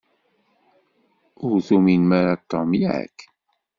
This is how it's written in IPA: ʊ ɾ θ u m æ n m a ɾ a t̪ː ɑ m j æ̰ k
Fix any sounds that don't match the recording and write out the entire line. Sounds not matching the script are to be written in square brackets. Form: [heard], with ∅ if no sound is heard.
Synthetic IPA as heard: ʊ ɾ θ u m [i] n m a ɾ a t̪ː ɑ m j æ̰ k